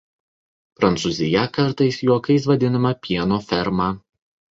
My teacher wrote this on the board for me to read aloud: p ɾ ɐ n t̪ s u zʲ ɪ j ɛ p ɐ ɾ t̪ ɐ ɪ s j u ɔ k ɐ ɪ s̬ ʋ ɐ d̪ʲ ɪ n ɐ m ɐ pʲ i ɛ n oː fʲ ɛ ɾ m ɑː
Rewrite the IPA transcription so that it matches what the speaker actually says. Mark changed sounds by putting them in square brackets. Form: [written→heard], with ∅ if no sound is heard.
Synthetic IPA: p ɾ ɐ n t̪ s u zʲ ɪ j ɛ [p→k] ɐ ɾ t̪ ɐ ɪ s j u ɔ k ɐ ɪ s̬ ʋ ɐ d̪ʲ ɪ n ɐ m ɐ pʲ i ɛ n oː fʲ ɛ ɾ m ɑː